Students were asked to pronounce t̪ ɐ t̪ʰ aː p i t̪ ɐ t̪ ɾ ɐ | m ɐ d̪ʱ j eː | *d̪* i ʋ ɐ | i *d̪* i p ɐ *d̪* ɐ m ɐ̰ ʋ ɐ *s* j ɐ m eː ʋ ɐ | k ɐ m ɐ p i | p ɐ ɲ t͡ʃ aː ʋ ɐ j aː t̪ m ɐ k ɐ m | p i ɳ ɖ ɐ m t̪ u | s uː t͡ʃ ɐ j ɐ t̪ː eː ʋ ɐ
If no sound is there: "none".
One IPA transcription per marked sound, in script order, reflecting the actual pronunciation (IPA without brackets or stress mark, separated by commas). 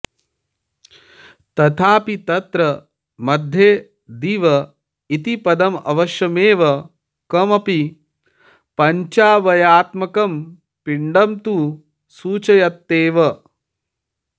d̪, t̪, d̪, ʃ